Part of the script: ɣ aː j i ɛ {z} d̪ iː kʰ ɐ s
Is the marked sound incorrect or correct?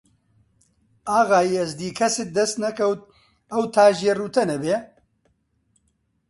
correct